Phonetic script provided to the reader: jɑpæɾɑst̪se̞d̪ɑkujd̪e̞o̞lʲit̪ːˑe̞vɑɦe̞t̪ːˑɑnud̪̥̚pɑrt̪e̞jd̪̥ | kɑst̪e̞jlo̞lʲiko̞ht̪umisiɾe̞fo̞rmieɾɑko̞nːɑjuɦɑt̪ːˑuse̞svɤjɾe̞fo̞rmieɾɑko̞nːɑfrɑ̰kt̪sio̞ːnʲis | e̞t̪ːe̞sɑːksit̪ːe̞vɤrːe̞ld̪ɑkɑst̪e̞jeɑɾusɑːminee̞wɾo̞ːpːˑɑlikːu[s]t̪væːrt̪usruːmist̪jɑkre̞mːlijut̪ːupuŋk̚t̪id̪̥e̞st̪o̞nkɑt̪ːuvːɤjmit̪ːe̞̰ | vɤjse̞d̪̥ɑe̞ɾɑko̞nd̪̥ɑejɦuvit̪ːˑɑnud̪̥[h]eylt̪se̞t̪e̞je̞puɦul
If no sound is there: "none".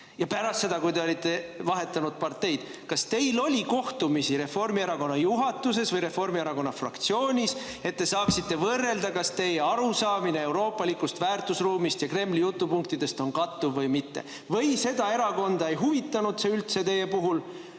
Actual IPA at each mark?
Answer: s, s

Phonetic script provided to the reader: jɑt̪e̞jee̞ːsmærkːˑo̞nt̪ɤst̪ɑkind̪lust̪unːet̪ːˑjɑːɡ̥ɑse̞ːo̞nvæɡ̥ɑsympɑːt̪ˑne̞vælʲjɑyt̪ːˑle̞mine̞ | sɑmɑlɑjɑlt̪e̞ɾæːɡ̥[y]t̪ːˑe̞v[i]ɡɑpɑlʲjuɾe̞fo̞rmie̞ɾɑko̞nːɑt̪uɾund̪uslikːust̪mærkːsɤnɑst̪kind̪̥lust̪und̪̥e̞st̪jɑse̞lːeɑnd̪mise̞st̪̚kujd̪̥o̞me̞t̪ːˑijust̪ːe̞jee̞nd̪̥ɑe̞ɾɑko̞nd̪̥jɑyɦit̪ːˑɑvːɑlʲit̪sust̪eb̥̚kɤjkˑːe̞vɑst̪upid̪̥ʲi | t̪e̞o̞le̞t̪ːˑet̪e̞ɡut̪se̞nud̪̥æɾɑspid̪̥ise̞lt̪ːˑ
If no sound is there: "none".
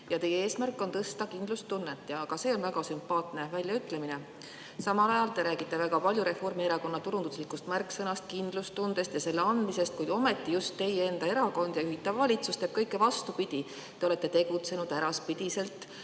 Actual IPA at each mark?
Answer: i, æ

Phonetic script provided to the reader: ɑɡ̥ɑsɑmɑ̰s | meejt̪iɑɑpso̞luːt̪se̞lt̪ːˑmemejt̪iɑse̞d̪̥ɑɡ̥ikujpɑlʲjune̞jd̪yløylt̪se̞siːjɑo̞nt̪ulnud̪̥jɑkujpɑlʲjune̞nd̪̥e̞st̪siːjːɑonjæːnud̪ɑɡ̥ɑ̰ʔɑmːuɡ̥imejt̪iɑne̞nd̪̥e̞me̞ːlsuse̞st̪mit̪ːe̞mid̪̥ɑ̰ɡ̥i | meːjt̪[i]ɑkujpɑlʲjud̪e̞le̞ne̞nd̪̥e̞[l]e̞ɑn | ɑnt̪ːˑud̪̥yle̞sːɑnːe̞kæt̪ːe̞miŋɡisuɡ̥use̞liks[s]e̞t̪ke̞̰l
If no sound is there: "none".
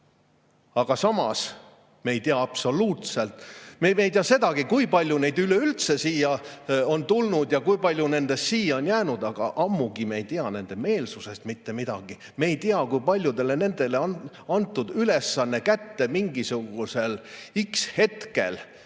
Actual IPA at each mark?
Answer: i, l, h

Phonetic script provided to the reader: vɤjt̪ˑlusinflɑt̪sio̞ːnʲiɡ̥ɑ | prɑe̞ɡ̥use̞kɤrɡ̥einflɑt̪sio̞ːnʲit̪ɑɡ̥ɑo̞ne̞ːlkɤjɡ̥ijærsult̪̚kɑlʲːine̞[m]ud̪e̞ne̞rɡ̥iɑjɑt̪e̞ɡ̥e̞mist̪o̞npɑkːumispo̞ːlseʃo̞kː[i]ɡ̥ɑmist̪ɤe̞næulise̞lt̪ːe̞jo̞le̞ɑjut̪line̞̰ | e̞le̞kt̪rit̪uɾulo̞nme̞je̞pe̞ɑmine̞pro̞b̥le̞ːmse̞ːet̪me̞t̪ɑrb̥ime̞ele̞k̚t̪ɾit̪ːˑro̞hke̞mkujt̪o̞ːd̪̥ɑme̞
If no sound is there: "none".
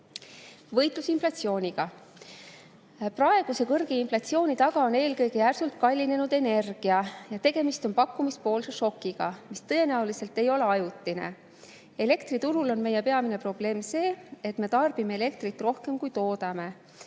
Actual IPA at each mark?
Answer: n, i

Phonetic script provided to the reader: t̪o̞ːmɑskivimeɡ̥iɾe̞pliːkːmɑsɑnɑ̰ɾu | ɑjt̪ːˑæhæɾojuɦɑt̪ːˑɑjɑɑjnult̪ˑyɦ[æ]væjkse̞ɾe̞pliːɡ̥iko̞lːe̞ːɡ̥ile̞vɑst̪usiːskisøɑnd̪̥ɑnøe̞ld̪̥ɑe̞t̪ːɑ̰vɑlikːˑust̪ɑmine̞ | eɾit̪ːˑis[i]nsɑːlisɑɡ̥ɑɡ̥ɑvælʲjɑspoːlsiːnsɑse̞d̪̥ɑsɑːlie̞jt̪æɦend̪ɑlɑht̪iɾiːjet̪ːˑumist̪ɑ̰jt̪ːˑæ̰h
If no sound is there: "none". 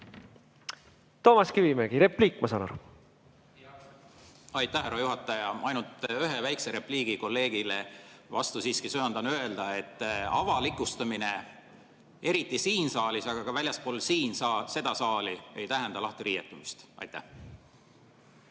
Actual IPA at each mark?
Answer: e, iː

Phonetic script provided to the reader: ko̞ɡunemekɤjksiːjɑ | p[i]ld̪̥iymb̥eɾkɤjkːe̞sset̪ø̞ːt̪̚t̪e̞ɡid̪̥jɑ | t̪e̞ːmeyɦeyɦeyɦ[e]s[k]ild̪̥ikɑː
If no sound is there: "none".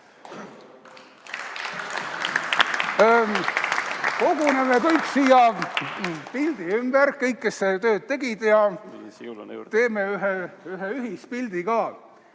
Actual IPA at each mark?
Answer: i, i, p

